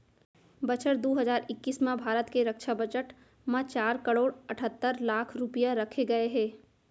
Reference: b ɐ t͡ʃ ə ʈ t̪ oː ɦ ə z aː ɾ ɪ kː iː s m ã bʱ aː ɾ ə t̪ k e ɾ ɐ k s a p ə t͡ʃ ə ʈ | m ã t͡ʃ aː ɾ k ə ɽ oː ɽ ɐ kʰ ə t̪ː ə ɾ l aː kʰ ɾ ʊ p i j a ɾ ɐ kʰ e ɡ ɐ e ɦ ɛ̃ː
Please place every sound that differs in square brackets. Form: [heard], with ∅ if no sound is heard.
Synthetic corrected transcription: b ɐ t͡ʃ ə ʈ [d̪] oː ɦ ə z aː ɾ ɪ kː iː s m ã bʱ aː ɾ ə t̪ k e ɾ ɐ k [ʃ] a [b] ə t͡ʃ ə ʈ | m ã t͡ʃ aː ɾ k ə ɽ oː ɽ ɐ [ʈʰ] ə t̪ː ə ɾ l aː kʰ ɾ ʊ p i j a ɾ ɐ kʰ e ɡ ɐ e ɦ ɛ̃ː